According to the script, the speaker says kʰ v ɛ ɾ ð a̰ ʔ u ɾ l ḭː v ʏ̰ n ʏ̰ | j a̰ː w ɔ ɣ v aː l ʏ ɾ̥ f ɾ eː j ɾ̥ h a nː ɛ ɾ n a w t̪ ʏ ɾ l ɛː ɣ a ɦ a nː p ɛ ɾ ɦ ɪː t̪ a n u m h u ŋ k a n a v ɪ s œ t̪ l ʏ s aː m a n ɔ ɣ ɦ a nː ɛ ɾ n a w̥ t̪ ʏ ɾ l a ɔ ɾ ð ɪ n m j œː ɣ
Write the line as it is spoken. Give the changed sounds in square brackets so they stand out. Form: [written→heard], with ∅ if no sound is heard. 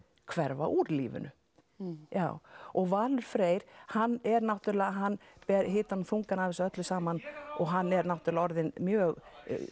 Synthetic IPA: kʰ v ɛ ɾ [ð→v] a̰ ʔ u ɾ l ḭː v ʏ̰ n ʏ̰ | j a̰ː w ɔ ɣ v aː l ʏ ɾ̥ f ɾ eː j ɾ̥ h a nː ɛ ɾ n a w t̪ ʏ ɾ l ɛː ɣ a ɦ a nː p ɛ ɾ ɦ ɪː t̪ a n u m [h→θ] u ŋ k a n a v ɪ s œ t̪ l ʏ s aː m a n ɔ ɣ ɦ a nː ɛ ɾ n a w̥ t̪ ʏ ɾ l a ɔ ɾ ð ɪ n m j œː ɣ